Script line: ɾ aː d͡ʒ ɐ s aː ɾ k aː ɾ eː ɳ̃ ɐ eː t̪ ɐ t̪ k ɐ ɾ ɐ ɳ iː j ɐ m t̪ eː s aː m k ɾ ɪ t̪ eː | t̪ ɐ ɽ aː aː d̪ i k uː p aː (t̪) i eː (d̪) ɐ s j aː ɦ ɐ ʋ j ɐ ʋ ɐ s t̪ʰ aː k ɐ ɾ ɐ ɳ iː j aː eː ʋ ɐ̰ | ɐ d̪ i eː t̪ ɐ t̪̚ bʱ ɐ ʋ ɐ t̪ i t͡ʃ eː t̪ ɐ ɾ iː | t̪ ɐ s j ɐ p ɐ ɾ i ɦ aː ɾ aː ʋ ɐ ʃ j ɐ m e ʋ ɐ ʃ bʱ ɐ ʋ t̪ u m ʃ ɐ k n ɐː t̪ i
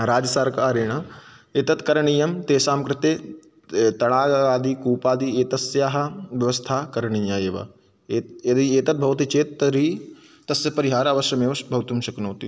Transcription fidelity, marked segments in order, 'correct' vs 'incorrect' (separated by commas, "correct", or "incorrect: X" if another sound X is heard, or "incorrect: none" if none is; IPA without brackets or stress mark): incorrect: d̪, incorrect: t̪